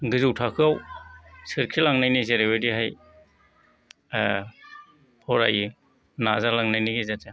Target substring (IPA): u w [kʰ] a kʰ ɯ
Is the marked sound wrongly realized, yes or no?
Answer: yes